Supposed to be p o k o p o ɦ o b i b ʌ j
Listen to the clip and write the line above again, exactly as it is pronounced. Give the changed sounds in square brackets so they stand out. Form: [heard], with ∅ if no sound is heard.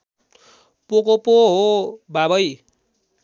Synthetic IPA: p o k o p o ɦ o b [a] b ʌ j